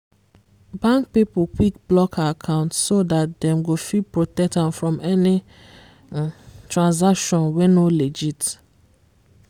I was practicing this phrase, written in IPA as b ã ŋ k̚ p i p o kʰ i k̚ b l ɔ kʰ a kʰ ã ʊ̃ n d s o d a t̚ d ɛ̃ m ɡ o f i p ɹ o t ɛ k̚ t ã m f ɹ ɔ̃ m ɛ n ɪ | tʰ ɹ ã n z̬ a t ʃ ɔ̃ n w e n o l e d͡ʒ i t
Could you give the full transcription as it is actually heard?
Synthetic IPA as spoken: b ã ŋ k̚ p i p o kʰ i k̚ b l ɔ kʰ a kʰ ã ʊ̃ n t s o d a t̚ d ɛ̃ m ɡ o f i p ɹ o t ɛ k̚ t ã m f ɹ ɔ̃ m ɛ n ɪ | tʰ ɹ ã n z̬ a k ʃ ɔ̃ n w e n o l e d͡ʒ i t